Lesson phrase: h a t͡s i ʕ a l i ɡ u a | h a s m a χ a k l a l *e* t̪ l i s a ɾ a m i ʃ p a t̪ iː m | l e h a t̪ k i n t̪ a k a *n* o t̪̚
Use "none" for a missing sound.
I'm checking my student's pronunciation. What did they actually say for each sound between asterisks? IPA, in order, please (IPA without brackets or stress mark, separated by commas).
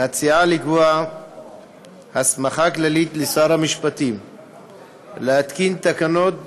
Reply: i, n